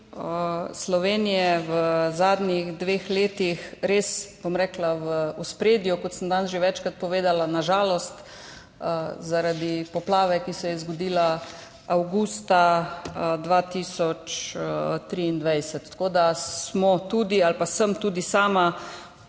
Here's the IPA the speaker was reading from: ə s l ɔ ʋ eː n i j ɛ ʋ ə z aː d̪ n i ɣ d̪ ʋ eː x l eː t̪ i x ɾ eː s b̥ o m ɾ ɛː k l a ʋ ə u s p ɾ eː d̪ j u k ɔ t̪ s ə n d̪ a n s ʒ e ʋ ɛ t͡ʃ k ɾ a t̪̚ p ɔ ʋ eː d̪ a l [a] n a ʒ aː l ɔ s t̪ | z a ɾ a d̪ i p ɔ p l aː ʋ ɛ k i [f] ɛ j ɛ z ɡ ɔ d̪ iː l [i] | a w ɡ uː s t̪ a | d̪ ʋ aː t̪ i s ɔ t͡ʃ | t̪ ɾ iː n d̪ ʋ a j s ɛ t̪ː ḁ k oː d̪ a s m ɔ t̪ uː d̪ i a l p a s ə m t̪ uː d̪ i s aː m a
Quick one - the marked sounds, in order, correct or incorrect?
correct, incorrect, incorrect

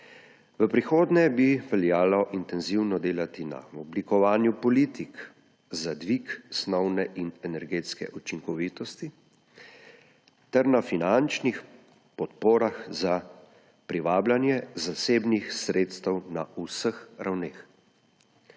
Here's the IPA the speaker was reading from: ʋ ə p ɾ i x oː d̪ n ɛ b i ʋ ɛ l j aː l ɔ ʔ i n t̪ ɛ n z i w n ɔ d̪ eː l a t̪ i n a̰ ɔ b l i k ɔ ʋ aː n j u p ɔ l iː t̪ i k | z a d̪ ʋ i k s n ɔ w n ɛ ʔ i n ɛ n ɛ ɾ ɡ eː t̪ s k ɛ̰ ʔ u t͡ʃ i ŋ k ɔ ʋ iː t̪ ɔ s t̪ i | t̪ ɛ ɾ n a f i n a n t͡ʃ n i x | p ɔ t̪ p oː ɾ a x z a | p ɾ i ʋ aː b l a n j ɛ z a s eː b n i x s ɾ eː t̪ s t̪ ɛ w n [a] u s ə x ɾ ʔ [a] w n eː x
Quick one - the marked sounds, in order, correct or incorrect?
correct, correct

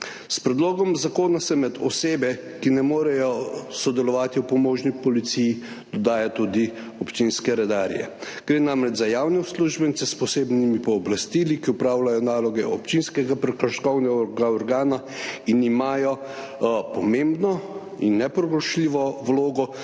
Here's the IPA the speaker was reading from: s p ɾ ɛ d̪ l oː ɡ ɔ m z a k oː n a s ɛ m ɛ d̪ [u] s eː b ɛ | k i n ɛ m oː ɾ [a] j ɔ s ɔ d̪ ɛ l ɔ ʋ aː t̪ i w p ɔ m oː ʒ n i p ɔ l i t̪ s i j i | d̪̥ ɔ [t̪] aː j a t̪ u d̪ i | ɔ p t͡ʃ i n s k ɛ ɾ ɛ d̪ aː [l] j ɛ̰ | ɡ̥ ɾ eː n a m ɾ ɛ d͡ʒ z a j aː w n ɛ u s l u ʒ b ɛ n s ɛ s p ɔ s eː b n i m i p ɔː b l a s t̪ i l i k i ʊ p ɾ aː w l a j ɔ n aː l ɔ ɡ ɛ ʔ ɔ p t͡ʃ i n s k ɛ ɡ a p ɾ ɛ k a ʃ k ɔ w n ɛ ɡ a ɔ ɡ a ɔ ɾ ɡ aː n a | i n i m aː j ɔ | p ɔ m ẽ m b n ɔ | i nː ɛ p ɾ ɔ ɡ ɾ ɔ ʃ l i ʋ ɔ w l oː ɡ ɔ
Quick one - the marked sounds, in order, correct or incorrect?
incorrect, incorrect, incorrect, incorrect

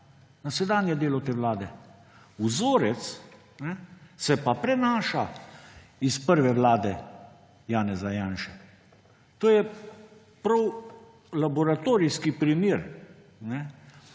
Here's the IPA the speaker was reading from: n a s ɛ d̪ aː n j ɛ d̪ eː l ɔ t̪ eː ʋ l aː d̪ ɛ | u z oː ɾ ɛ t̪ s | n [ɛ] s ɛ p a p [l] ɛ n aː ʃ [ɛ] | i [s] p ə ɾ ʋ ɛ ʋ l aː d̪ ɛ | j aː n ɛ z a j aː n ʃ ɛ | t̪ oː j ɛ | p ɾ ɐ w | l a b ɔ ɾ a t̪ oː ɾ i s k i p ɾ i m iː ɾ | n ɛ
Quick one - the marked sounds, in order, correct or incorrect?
correct, incorrect, incorrect, correct

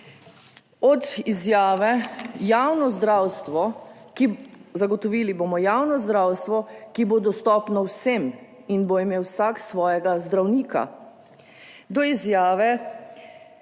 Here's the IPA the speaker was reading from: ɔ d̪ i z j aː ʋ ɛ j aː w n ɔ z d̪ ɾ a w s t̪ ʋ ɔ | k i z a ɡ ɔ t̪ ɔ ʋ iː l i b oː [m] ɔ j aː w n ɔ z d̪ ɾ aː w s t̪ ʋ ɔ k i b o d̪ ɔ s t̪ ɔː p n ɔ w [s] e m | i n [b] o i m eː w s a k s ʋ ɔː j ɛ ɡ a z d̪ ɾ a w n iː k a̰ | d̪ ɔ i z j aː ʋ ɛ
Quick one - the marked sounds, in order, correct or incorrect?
correct, correct, correct

